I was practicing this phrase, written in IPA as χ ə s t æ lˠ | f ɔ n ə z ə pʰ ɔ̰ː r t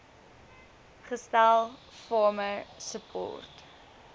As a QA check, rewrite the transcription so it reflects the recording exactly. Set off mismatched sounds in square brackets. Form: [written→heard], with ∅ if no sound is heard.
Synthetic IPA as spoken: χ ə s t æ lˠ | f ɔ [n→m] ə [z→s] ə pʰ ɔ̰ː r t